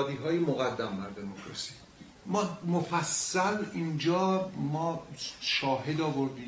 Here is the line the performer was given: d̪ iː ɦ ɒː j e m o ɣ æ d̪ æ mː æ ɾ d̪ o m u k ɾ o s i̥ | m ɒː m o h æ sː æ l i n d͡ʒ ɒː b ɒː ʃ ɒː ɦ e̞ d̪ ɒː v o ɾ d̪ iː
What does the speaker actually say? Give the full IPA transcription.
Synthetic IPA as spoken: d̪ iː ɦ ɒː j e m o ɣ æ d̪ː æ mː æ ɾ d̪ o m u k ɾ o s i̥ | m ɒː m o f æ sː æ l i n d͡ʒ ɒː m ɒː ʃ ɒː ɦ e̞ d̪ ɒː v o ɾ d̪ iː